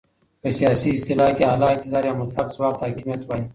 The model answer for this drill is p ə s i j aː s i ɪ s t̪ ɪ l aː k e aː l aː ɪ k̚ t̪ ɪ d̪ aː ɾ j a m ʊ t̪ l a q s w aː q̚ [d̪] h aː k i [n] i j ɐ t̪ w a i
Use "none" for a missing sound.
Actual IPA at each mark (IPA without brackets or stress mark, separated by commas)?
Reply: t̪, m